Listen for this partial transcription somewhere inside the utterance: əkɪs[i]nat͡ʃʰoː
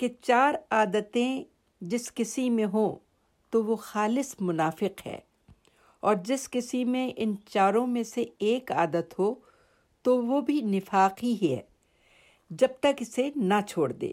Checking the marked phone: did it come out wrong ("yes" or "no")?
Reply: yes